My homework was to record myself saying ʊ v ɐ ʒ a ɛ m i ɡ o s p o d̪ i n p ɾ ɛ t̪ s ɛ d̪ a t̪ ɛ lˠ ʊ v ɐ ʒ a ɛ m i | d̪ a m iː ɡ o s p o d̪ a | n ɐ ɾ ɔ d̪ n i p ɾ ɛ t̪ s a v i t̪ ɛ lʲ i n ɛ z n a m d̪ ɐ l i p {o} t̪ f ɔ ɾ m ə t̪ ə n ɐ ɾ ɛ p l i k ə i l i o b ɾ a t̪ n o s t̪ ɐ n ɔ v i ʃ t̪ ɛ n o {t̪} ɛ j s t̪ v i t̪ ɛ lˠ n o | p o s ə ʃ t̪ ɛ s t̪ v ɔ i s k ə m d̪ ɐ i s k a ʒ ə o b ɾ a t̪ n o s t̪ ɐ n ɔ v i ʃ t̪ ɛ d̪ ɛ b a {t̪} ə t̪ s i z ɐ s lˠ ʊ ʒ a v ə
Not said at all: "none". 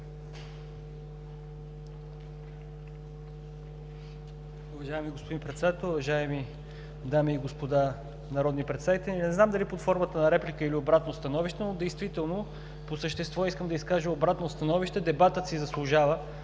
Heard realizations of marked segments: o, d̪, t̪

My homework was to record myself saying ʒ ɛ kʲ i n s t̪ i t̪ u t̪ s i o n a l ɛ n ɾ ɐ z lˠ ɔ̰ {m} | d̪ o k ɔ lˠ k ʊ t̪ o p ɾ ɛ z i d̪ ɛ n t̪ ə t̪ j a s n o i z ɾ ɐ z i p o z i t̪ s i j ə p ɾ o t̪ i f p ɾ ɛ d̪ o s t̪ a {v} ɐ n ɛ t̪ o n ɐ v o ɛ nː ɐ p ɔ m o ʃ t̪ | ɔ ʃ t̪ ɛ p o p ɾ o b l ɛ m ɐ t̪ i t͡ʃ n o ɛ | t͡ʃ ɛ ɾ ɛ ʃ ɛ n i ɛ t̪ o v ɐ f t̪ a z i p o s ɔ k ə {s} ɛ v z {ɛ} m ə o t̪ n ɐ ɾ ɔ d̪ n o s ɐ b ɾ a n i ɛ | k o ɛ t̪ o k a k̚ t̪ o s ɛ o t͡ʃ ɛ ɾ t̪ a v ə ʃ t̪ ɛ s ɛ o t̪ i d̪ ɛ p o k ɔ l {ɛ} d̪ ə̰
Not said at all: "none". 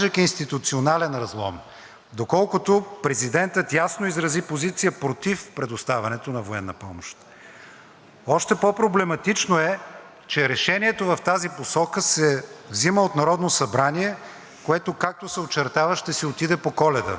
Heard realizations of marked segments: m, v, s, i, ɛ

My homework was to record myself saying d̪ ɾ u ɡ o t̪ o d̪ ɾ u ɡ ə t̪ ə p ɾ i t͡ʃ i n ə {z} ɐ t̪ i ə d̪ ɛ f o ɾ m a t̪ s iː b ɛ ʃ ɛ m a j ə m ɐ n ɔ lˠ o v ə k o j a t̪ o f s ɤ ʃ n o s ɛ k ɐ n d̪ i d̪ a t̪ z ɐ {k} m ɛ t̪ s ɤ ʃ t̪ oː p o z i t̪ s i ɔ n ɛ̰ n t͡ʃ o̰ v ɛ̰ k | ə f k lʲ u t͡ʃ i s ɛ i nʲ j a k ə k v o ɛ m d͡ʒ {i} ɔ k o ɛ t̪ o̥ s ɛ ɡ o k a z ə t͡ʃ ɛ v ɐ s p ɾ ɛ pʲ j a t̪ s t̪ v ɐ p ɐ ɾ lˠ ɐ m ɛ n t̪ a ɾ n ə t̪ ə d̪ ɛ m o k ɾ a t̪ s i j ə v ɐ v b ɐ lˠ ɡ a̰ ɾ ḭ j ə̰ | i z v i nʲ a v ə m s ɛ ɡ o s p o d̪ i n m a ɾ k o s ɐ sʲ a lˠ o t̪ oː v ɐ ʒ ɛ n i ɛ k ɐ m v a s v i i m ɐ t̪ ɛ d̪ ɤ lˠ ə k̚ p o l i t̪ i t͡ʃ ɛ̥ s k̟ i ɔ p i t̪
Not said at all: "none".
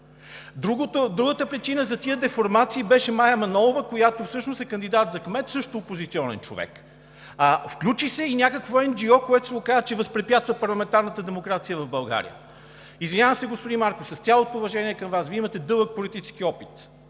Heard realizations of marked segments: z, k, i

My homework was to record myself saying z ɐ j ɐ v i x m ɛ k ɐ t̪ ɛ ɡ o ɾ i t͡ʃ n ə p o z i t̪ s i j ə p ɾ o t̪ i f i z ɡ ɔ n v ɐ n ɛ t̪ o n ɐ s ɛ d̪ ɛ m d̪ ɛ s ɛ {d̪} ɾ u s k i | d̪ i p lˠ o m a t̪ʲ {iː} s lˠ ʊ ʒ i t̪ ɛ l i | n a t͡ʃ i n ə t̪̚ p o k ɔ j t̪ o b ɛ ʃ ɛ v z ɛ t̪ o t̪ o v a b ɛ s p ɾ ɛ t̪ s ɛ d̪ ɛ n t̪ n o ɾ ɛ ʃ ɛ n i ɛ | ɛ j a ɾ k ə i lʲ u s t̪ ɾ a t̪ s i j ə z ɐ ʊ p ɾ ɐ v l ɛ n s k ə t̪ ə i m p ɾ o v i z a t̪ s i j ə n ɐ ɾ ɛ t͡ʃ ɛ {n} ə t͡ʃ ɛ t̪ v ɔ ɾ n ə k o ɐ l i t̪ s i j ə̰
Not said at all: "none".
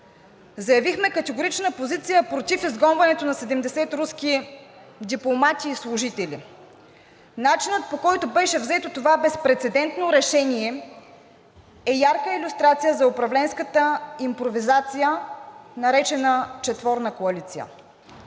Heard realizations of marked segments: t̪, iː, n

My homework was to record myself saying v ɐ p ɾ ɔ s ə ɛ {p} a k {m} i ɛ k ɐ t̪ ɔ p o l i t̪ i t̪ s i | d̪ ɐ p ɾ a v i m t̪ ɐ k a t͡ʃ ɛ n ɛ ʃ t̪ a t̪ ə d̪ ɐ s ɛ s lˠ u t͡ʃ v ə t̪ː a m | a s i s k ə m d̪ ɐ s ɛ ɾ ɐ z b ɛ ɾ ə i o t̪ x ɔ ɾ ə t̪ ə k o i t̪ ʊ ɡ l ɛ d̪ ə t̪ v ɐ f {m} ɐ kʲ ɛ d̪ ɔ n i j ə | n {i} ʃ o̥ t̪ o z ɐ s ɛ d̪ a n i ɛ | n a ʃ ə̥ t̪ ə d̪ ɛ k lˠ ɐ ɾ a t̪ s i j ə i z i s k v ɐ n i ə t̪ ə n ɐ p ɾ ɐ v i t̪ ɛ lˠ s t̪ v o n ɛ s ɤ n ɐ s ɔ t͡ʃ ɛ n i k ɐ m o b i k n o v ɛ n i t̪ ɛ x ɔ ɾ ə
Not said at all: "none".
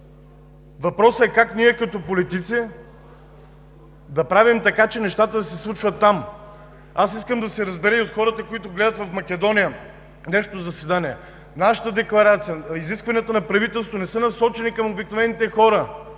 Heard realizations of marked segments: k, n, m, ɛ

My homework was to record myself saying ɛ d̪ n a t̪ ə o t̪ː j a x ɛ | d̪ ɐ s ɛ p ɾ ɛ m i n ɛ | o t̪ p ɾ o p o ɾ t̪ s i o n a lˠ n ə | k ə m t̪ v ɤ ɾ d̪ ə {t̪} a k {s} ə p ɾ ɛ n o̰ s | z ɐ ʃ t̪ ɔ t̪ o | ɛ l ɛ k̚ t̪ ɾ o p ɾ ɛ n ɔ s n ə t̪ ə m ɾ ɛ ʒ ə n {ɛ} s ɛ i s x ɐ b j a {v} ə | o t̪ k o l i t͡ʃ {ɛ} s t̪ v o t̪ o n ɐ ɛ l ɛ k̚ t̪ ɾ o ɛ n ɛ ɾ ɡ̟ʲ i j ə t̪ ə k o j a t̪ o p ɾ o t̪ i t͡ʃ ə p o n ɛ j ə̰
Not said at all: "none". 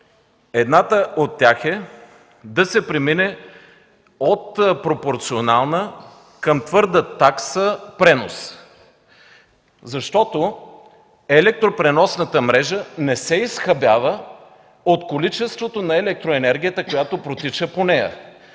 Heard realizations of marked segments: t̪, s, ɛ, v, ɛ

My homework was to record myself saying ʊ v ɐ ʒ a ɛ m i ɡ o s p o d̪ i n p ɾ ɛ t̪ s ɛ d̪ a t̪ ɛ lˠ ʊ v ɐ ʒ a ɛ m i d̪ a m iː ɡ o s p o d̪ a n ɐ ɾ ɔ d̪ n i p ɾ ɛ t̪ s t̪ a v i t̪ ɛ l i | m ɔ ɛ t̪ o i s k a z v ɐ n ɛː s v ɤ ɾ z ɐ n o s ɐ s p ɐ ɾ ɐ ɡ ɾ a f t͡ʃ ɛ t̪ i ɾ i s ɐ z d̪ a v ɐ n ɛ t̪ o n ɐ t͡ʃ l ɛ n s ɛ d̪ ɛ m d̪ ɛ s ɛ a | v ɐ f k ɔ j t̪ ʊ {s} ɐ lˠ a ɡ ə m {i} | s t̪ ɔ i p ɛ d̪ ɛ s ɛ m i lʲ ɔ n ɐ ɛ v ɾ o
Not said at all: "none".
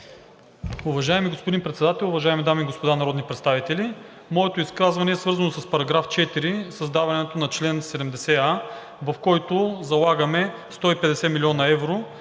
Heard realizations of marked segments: z, ɛ

